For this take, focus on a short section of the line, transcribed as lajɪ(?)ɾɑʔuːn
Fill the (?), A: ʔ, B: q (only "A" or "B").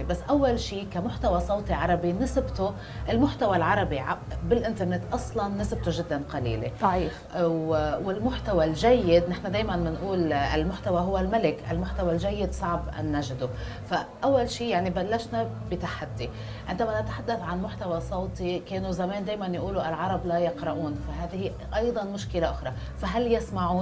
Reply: B